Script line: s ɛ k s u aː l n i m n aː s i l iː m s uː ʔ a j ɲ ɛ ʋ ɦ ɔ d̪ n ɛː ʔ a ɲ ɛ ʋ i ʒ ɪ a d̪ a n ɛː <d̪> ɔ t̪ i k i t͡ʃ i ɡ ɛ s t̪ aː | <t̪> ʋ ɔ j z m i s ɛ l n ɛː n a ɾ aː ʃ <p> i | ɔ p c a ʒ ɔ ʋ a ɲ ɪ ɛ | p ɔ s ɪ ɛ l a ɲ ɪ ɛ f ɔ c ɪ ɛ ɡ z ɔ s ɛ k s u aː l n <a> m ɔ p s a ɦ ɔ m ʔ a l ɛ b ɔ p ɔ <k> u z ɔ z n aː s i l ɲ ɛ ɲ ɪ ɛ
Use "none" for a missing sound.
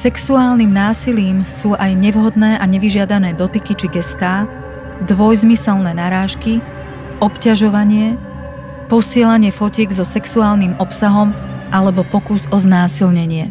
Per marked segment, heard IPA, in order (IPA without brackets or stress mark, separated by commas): d̪, d̪, k, i, k